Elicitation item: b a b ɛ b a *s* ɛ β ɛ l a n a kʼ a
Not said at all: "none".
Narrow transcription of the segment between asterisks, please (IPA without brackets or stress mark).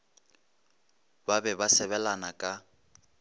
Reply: s